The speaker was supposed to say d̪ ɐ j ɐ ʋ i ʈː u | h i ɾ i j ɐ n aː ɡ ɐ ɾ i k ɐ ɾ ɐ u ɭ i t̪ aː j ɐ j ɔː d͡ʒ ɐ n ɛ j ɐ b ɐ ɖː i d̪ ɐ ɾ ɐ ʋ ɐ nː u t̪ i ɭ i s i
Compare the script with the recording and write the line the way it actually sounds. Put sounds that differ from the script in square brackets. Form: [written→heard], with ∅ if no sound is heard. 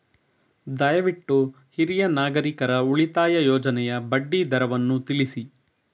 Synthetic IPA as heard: d̪ ɐ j ɐ ʋ i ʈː u | h i ɾ i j ɐ n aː ɡ ɐ ɾ i k ɐ ɾ ɐ u ɭ i t̪ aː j ɐ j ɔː d͡ʒ ɐ n ɛ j ɐ b ɐ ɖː i d̪ ɐ ɾ ɐ ʋ ɐ nː u t̪ i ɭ i s i